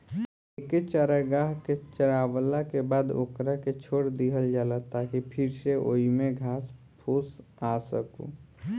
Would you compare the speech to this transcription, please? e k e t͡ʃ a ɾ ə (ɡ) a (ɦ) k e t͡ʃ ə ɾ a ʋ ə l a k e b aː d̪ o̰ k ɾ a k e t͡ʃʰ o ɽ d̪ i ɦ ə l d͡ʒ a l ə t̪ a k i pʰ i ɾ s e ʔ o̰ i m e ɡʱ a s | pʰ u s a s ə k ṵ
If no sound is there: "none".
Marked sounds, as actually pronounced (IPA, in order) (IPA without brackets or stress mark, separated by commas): ɡ, ɦ